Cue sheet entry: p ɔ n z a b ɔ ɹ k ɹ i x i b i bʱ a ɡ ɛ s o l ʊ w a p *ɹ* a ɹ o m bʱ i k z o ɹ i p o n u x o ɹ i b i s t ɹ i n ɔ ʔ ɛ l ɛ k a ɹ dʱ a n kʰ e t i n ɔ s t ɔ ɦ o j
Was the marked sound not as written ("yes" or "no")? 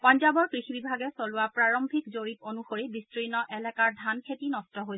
no